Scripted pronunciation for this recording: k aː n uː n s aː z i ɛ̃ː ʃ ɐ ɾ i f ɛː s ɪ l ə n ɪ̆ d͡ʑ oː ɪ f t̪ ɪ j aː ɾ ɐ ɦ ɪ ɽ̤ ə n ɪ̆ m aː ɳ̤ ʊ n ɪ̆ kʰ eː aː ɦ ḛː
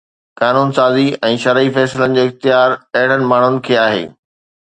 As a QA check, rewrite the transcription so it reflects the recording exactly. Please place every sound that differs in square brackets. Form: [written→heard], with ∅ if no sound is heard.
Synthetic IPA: k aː n uː n s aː z i ɛ̃ː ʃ ɐ ɾ i f ɛː s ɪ l ə n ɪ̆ d͡ʑ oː ɪ [f→x] t̪ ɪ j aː ɾ ɐ ɦ ɪ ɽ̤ ə n ɪ̆ m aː ɳ̤ ʊ n ɪ̆ kʰ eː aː ɦ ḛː